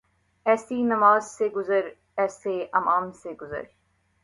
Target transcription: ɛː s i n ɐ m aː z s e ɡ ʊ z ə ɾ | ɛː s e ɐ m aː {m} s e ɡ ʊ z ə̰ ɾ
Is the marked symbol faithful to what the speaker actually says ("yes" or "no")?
yes